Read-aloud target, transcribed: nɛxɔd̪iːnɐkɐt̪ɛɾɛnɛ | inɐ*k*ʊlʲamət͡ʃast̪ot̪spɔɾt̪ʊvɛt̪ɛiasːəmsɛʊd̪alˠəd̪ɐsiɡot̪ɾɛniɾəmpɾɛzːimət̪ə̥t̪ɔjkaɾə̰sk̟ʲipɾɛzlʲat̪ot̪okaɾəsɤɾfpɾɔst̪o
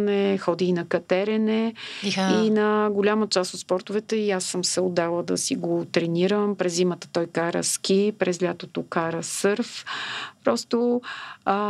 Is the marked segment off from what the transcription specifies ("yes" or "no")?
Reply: yes